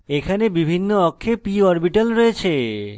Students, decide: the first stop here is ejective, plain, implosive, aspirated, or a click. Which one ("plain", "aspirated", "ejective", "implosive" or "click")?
aspirated